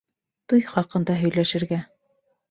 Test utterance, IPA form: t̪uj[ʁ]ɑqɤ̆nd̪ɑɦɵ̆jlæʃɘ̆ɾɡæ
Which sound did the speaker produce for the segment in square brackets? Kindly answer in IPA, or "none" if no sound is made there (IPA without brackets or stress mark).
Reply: χ